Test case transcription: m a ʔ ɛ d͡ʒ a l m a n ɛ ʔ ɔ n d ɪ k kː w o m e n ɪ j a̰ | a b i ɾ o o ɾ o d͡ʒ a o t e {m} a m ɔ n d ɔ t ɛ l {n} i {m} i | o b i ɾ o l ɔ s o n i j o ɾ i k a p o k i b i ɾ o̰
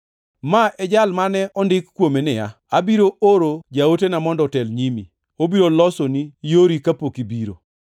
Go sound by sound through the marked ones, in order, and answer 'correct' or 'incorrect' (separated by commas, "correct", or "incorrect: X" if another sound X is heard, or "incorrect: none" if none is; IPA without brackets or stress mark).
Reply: incorrect: n, incorrect: ɲ, correct